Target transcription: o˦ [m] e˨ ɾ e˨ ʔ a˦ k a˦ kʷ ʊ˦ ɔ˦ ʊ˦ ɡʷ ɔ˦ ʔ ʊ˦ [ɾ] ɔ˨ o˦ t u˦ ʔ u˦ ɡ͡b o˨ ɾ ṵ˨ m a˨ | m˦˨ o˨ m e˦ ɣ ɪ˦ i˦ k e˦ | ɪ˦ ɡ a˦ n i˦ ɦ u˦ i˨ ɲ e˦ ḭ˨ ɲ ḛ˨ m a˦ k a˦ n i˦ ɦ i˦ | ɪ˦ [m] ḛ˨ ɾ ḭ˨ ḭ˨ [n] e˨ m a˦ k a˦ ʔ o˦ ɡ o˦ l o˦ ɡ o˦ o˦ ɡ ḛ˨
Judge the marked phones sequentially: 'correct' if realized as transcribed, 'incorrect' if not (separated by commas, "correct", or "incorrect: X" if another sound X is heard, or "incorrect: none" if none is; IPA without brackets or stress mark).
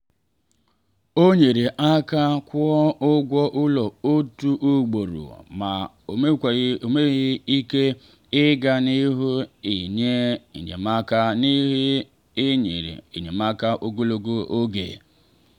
incorrect: ɲ, incorrect: l, incorrect: ɲ, incorrect: ɲ